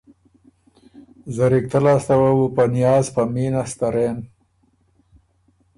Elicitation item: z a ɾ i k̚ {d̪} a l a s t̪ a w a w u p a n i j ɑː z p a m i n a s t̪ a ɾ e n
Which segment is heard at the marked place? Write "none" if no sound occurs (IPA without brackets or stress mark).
t̪